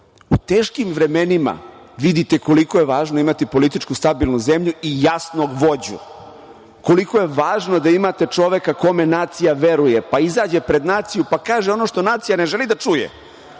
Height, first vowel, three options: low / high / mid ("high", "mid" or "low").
high